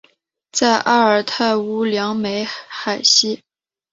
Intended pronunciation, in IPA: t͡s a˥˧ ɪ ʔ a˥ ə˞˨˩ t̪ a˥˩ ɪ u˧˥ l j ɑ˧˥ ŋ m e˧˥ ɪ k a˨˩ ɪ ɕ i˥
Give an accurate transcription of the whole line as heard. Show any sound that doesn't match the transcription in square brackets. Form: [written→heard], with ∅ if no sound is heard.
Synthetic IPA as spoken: t͡s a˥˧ ɪ ʔ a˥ ə˞˨˩ [t̪→t̪ʰ] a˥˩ ɪ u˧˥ l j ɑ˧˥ ŋ m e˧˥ ɪ [k→x] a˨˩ ɪ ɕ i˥